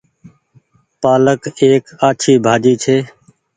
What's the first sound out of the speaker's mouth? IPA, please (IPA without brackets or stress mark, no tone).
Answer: p